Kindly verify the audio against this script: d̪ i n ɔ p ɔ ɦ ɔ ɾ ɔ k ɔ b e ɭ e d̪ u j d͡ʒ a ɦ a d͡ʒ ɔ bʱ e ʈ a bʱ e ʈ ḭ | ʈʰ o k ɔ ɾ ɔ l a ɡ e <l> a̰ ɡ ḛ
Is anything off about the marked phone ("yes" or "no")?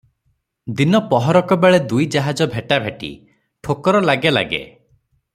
no